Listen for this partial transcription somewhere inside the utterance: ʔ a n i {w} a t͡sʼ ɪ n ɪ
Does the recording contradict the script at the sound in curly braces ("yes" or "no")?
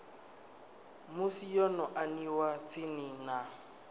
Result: no